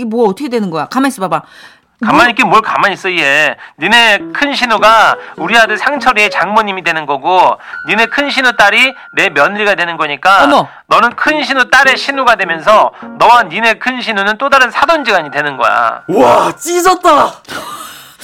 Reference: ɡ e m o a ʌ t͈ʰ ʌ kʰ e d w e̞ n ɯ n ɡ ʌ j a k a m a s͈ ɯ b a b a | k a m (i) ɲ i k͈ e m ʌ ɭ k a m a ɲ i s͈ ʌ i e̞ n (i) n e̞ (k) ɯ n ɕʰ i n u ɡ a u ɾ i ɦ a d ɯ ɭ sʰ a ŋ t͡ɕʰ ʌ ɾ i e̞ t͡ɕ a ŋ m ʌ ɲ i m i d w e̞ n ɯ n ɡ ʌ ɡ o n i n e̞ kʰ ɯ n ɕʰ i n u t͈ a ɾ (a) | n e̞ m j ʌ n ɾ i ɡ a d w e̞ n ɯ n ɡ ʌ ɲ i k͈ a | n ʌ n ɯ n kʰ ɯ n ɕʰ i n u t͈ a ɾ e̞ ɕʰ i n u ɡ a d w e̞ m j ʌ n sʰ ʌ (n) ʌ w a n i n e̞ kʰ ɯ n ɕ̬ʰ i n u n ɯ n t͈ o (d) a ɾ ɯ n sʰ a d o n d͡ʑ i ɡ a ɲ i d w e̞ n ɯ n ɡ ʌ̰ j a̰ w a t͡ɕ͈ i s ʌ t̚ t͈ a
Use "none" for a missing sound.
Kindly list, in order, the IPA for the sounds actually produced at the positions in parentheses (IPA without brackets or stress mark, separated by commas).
a, i, kʰ, i, n, d